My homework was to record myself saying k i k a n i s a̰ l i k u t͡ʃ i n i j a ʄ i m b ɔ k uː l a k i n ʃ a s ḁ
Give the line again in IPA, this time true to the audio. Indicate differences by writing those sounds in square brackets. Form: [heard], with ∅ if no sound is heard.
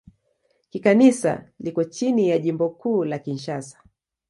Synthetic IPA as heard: k i k a n i s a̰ l i k [ɔ] t͡ʃ i n i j a ʄ i m b ɔ k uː l a k i n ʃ a s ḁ

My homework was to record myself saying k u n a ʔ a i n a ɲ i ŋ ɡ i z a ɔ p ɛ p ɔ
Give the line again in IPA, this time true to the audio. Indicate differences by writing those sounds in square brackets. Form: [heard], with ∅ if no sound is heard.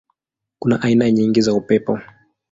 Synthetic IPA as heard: k u n a ʔ a i n a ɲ i ŋ ɡ i z a [u] p ɛ p ɔ

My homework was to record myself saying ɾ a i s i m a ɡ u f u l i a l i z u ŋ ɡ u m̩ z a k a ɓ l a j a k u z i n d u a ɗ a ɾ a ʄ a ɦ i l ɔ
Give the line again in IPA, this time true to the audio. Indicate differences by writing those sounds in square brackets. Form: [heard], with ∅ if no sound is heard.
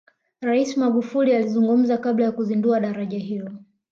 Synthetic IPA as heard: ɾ a i s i m a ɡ u f u l i a l i z u ŋ ɡ u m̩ z a k a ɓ l a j a k u z i n d u a ɗ a ɾ a ʄ a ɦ i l ɔ

